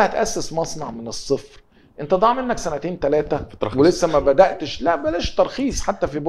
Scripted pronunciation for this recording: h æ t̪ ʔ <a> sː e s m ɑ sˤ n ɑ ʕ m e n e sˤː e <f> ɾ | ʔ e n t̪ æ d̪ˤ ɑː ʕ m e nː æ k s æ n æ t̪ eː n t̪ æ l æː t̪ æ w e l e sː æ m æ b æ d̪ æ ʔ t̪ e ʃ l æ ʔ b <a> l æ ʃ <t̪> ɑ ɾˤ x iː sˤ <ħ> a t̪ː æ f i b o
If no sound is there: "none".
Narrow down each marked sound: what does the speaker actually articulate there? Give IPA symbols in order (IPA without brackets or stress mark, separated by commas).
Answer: æ, f, æ, t̪, ħ